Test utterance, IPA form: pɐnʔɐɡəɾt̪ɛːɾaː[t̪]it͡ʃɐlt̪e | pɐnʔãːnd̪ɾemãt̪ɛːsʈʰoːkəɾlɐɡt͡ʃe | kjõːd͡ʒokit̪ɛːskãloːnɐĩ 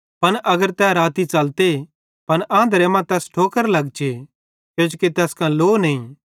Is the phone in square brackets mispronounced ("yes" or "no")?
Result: no